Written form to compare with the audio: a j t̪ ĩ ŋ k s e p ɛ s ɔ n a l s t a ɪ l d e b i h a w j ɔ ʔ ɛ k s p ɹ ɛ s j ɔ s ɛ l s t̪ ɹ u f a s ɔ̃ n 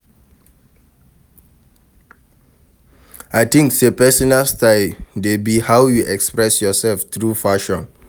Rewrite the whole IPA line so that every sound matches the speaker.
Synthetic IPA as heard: a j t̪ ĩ ŋ k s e p ɛ s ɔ n a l s t a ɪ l d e b i h a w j u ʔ ɛ k s p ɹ ɛ s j ɔ s ɛ l f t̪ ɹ u f a ʃ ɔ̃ n